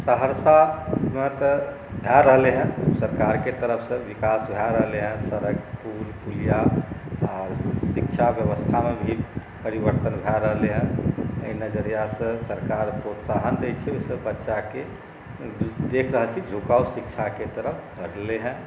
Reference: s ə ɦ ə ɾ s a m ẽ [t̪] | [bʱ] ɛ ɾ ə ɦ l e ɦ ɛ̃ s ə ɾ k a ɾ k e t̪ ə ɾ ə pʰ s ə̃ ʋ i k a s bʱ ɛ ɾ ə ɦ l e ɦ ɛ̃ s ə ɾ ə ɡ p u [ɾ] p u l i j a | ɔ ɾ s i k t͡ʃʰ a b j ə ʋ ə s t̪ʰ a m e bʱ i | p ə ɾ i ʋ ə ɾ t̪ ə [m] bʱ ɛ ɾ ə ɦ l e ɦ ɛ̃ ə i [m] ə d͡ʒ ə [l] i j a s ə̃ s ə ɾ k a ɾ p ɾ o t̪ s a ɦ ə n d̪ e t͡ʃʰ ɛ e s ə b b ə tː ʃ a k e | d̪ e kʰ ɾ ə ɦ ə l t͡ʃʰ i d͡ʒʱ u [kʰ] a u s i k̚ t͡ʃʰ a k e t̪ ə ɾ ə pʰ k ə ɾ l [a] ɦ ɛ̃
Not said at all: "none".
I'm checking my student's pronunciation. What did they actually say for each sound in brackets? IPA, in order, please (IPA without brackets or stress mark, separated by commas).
t̪, bʱ, l, n, n, ɾ, k, e